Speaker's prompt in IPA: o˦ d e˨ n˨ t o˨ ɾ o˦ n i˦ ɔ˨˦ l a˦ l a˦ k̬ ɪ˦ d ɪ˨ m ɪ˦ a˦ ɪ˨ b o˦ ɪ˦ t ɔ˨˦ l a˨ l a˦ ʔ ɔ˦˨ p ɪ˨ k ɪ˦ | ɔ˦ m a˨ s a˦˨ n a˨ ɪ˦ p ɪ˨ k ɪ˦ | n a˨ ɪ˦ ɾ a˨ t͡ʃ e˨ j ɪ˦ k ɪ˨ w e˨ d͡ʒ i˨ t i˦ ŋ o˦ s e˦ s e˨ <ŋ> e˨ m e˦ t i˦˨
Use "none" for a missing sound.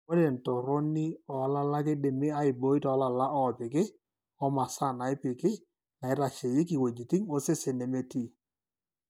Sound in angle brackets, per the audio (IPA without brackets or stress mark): n